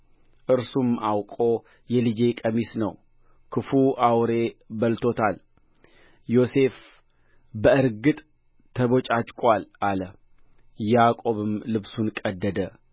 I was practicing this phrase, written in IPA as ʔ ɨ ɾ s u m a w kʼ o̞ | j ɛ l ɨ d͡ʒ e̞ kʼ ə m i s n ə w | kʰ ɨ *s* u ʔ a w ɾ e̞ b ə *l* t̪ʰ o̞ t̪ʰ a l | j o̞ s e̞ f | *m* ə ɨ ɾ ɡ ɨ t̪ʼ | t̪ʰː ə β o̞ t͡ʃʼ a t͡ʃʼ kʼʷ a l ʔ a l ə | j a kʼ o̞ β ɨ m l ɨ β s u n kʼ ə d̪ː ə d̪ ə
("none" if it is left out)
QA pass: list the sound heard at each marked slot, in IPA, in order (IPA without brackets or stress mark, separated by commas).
f, l, b